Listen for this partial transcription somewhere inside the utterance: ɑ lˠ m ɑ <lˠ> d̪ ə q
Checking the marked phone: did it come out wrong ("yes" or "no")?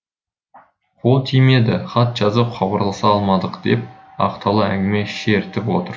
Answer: yes